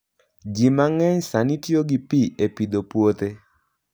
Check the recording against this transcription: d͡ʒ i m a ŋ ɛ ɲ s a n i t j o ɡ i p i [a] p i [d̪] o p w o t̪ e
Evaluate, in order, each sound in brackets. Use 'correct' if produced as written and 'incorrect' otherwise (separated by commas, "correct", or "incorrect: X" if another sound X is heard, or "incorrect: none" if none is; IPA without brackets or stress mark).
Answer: incorrect: e, correct